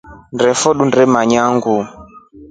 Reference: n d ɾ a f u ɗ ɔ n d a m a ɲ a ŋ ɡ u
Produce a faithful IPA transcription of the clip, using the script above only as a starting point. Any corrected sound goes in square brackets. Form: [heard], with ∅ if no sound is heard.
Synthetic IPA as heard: n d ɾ [ɛ] f [ɔ] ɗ [u] n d [ɛ] m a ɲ a ŋ ɡ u